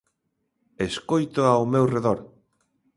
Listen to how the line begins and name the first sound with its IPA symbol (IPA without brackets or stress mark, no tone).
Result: e